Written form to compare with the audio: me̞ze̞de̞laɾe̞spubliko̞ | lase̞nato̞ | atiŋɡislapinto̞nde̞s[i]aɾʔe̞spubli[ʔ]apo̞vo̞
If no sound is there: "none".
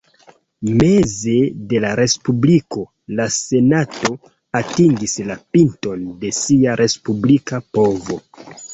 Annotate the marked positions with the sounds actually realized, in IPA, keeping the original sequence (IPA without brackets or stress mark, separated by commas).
i, k